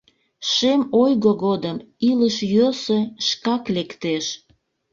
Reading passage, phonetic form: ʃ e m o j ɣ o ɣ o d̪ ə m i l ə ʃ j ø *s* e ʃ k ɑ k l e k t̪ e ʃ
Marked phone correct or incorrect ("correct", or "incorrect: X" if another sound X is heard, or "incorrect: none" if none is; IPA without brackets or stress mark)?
correct